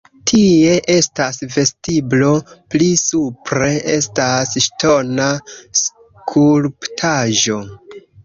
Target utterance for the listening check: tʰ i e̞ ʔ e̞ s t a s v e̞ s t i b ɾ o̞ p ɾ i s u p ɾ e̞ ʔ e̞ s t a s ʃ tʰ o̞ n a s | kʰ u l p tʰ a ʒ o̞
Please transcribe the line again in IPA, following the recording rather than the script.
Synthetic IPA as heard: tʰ i e̞ ʔ e̞ s t a s v e̞ s t i b l o̞ p l i s u p ɾ e̞ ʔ e̞ s t a s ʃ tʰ o̞ n a s | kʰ u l p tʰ a ʒ o̞